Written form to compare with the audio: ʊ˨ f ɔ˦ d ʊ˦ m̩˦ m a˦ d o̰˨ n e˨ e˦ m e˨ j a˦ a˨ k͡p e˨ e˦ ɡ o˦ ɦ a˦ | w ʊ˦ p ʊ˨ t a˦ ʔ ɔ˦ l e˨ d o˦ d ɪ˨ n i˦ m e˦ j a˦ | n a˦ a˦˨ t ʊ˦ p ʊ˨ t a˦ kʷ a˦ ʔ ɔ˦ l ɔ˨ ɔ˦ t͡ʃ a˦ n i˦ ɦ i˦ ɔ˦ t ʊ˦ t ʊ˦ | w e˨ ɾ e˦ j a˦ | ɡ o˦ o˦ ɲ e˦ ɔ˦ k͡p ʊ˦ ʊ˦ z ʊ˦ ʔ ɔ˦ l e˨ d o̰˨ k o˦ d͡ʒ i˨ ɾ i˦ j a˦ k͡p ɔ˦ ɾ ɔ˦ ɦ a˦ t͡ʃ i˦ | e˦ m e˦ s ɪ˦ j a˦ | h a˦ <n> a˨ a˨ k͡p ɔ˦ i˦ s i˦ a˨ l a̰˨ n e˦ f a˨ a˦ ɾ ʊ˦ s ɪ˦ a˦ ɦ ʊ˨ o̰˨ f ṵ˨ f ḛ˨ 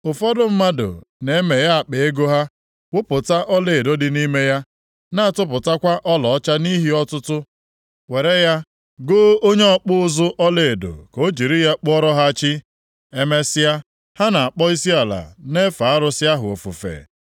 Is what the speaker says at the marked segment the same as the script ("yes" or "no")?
yes